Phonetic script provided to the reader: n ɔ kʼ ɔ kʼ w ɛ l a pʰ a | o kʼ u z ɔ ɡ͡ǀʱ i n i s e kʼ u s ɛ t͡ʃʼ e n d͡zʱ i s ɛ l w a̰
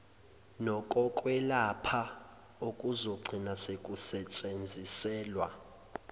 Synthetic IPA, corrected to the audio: n ɔ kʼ ɔ kʼ w ɛ l a pʰ a | o kʼ u z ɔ ɡ͡ǀʱ i n a s e kʼ u s ɛ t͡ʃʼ e n d͡zʱ i s ɛː l w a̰